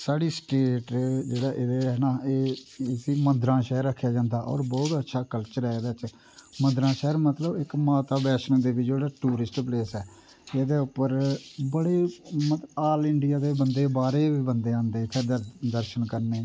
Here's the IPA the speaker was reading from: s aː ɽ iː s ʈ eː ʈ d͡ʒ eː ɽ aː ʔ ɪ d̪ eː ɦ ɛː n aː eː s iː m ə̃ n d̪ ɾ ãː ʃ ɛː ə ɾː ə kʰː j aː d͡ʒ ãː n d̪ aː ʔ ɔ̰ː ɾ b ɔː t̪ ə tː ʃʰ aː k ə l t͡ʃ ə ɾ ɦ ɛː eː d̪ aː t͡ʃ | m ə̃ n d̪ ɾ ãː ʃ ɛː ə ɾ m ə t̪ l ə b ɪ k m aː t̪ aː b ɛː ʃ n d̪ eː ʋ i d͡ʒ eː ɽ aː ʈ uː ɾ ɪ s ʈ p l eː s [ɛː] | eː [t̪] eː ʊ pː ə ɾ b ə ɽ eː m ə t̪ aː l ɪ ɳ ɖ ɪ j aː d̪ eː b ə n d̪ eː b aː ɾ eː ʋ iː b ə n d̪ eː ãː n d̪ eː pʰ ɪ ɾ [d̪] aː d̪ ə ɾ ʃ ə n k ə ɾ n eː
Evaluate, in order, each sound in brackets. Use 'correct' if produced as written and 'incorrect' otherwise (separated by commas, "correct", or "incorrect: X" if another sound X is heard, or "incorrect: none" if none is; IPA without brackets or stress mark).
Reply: correct, incorrect: d̪, correct